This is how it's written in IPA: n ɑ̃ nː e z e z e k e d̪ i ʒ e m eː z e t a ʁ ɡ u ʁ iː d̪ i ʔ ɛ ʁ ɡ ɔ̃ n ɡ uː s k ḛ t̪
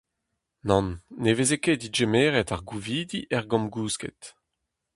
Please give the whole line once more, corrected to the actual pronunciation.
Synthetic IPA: n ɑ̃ nː e v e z e k e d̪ i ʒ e m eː ʁ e t a ʁ ɡ u v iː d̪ i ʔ ɛ ʁ ɡ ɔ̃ m ɡ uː s k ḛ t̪